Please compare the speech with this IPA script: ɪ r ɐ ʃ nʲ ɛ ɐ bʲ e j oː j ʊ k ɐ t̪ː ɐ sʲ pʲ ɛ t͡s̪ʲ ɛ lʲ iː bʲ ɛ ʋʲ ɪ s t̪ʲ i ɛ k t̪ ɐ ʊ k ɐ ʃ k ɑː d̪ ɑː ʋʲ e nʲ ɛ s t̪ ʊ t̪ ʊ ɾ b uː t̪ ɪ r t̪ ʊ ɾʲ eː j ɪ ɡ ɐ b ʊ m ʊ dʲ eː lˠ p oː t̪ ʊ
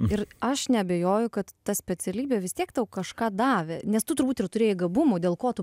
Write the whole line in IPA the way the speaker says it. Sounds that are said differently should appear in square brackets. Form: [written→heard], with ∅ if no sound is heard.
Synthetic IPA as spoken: ɪ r ɐ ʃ nʲ ɛ ɐ bʲ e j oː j ʊ k ɐ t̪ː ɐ sʲ pʲ ɛ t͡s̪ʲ ɛ lʲ iː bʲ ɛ ʋʲ ɪ s t̪ʲ i ɛ k t̪ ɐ ʊ k ɐ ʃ k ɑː d̪ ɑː ʋʲ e nʲ ɛ s t̪ ʊ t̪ ʊ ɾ b uː t̪ ɪ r t̪ ʊ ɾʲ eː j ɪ ɡ ɐ b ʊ m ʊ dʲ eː lˠ [p→k] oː t̪ ʊ